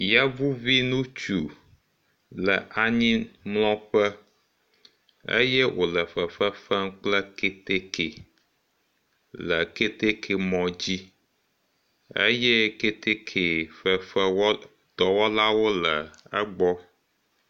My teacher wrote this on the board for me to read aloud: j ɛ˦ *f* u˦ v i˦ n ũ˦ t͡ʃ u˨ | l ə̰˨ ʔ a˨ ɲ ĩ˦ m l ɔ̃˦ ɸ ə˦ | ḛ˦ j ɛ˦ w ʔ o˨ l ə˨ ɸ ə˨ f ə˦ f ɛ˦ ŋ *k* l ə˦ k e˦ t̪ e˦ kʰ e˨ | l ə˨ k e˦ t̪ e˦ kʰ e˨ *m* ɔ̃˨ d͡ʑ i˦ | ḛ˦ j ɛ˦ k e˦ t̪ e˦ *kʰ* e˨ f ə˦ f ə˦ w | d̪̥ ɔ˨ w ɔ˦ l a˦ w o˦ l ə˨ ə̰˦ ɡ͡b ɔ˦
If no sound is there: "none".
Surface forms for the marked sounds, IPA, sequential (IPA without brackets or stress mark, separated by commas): v, k͡p, m, kʰ